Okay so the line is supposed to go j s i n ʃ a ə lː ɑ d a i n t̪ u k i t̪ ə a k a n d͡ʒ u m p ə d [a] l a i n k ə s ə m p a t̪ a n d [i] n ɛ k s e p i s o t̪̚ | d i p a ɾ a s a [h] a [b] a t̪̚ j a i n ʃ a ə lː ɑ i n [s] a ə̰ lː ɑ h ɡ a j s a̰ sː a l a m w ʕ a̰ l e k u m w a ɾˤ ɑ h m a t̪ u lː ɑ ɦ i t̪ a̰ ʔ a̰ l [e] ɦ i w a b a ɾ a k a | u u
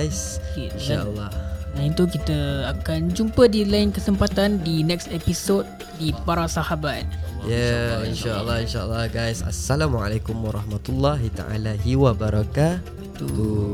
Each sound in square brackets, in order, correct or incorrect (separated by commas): incorrect, correct, correct, correct, incorrect, incorrect